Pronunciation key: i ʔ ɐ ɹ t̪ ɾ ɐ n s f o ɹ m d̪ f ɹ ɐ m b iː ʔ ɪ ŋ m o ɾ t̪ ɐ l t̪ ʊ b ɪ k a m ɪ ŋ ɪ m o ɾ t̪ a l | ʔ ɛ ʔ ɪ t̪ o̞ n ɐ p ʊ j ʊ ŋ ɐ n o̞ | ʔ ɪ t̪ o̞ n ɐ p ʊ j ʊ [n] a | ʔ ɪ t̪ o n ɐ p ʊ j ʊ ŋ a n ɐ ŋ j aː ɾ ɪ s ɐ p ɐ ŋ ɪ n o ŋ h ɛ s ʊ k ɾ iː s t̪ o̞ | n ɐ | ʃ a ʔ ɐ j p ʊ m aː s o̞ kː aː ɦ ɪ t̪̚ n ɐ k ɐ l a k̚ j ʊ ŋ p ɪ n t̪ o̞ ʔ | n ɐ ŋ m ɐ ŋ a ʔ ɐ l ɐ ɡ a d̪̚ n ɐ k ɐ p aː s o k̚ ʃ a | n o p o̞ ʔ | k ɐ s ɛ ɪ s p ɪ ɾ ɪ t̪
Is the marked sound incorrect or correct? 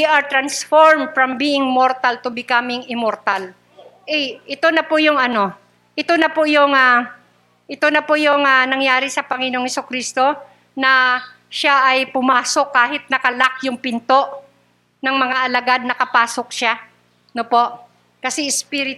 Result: incorrect